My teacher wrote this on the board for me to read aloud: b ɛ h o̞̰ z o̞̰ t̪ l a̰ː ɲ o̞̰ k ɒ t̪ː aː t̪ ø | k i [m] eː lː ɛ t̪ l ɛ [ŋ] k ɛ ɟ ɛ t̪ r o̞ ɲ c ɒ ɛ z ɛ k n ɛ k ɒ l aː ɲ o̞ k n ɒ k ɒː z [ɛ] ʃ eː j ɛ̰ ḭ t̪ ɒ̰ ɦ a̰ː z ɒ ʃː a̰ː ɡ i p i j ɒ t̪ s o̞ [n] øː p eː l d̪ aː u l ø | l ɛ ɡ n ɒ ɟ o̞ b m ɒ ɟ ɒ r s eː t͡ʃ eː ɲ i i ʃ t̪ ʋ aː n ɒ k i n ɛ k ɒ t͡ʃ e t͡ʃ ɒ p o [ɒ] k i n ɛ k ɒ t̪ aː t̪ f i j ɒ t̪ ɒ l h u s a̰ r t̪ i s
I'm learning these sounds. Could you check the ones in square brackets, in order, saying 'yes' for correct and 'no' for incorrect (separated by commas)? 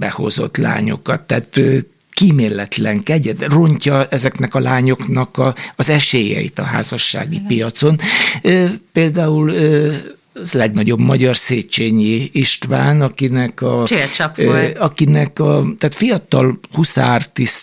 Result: yes, yes, yes, yes, yes